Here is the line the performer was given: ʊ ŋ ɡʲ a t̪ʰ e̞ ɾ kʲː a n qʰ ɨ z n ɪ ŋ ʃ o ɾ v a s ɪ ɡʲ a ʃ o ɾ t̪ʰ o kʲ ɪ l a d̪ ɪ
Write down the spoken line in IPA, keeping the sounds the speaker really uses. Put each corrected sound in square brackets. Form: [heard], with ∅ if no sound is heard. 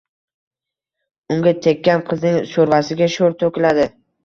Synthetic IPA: ʊ ŋ ɡʲ a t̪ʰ e̞ [∅] kʲː a n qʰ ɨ z n ɪ ŋ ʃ o ɾ v a s ɪ ɡʲ a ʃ o ɾ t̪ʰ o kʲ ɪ l a d̪ ɪ